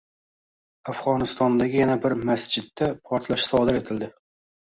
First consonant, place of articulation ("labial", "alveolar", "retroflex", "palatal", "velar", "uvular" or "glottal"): labial